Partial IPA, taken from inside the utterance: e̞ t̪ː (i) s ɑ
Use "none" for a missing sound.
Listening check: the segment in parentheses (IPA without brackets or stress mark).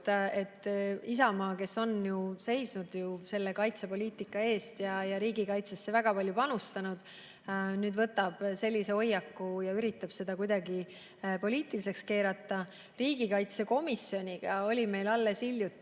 i